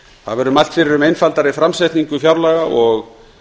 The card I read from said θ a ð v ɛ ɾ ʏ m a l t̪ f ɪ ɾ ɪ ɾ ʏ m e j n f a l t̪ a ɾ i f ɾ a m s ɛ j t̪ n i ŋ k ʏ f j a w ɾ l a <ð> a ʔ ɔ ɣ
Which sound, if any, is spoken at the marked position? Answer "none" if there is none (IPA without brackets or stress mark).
ɣ